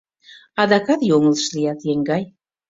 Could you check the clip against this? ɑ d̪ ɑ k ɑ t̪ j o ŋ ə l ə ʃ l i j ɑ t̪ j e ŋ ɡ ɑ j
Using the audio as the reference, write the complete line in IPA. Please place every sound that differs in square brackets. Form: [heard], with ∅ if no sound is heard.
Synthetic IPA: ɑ d̪ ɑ k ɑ t̪ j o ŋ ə l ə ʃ l i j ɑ t̪ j e ŋ ɡ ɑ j